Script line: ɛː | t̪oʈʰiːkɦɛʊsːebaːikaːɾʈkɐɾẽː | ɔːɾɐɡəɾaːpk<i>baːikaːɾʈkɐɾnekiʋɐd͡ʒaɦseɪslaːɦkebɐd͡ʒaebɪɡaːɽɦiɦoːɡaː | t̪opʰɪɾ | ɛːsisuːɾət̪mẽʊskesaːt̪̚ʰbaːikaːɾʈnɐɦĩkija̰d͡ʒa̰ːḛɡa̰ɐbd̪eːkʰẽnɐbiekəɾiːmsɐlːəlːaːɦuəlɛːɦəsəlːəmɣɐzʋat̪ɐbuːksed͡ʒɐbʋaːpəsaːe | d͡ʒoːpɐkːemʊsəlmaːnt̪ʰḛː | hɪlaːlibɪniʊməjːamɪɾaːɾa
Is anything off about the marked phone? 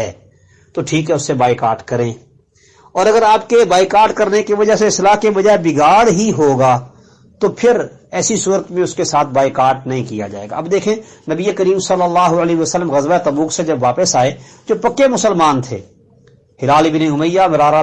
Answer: yes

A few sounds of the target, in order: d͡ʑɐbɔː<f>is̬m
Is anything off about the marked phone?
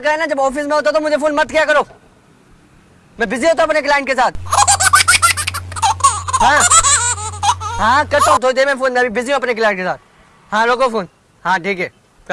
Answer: no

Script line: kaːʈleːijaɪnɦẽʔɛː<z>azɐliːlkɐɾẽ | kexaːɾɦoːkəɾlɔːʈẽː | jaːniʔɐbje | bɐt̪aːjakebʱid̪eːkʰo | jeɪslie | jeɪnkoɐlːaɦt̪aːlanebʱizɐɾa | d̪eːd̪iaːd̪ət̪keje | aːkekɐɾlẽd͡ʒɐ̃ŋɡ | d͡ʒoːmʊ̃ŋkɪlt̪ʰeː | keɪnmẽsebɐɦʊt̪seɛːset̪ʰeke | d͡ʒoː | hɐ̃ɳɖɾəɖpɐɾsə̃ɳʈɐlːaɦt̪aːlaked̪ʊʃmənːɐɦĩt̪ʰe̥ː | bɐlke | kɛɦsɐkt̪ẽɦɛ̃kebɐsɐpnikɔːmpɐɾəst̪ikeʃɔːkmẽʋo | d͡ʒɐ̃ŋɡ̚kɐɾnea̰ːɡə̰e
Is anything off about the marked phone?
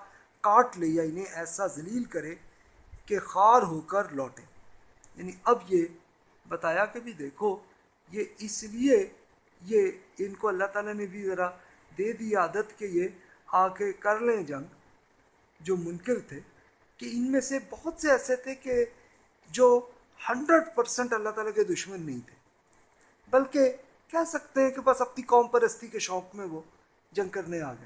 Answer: yes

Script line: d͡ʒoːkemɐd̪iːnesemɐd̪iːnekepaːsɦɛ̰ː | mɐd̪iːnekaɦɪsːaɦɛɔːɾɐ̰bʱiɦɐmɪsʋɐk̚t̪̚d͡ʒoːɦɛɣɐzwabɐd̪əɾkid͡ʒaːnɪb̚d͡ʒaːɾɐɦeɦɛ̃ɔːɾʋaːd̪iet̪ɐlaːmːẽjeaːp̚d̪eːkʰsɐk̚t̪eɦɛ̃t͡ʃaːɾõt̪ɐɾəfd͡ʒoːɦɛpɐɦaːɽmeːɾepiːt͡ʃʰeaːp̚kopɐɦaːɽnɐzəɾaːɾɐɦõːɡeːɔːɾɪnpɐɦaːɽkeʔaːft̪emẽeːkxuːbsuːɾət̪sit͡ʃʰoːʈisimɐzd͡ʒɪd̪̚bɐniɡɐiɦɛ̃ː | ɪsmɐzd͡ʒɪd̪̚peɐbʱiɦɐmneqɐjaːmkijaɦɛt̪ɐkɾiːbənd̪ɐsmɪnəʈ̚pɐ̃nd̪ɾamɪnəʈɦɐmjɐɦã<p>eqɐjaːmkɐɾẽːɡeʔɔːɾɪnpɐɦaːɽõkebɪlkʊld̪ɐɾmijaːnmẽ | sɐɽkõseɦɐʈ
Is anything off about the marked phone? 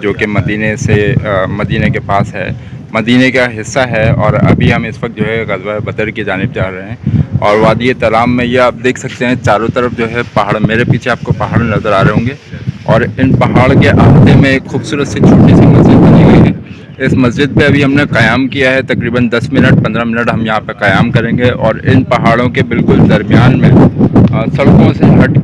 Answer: no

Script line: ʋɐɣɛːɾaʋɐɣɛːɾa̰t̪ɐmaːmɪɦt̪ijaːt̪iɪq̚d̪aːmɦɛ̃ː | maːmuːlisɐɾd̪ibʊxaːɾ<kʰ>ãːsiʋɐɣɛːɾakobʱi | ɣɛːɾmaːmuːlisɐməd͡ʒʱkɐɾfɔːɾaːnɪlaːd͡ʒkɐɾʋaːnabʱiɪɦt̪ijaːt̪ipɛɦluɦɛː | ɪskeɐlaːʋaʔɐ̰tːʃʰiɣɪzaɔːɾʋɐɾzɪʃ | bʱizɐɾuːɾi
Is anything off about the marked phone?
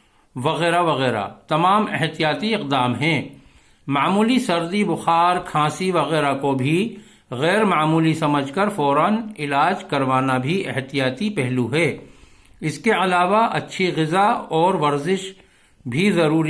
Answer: no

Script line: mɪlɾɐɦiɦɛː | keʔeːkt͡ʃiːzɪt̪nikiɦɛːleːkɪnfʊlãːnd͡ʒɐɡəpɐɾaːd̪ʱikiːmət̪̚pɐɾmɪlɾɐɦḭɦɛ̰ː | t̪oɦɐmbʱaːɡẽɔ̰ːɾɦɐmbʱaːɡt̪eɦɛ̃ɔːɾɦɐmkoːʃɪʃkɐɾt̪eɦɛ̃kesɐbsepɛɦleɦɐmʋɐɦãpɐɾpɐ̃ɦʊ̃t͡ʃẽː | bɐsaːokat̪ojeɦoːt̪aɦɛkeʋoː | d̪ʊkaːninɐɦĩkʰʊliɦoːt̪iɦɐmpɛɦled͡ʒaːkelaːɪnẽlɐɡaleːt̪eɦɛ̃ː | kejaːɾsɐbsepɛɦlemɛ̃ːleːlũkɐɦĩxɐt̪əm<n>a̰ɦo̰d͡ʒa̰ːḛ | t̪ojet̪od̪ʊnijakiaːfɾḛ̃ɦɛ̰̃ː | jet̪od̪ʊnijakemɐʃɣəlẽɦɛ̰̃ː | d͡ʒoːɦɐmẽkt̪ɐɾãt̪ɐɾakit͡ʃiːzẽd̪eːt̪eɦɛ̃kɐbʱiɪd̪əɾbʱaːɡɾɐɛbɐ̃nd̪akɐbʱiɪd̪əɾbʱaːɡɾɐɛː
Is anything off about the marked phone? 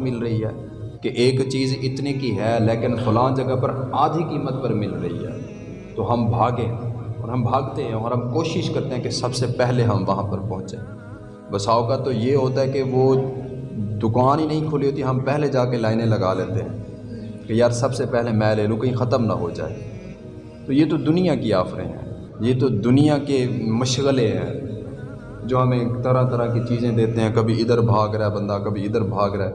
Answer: no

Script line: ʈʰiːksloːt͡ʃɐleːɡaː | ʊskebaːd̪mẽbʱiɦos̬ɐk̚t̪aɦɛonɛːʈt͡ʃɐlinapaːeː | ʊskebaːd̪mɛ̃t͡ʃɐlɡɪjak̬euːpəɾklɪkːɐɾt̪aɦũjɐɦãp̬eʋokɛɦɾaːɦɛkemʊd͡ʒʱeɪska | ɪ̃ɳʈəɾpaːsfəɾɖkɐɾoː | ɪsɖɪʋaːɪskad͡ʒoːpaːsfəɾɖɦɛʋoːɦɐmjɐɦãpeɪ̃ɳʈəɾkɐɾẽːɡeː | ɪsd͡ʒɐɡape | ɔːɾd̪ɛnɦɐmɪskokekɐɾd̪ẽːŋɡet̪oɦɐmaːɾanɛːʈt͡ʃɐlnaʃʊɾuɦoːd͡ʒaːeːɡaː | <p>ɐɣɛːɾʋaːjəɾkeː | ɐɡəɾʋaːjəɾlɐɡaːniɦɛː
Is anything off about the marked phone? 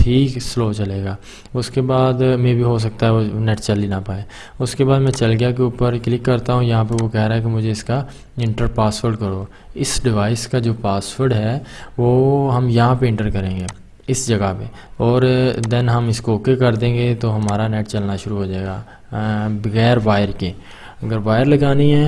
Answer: yes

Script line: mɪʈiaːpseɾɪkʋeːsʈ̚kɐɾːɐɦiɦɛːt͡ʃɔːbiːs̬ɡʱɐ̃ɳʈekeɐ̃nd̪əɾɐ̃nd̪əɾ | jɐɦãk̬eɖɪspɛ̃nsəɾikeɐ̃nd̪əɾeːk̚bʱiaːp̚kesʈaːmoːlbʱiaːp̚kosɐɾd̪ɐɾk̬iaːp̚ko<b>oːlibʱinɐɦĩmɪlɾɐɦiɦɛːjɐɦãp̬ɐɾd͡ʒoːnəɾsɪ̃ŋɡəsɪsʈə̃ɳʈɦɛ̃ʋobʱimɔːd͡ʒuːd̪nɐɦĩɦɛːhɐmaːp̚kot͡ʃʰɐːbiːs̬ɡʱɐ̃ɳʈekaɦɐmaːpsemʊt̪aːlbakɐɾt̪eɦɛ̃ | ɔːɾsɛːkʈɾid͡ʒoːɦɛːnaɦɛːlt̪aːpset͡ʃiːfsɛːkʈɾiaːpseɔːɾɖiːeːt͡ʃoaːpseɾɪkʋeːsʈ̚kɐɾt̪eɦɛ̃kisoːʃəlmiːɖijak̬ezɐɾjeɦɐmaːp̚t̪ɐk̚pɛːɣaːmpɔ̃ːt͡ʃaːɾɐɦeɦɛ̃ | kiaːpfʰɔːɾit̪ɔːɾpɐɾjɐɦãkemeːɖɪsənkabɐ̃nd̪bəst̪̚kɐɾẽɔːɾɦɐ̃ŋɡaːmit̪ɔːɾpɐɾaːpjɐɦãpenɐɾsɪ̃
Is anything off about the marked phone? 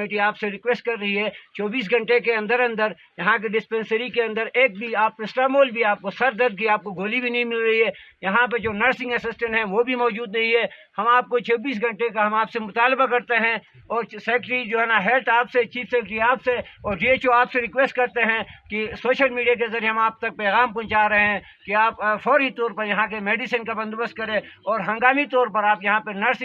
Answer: yes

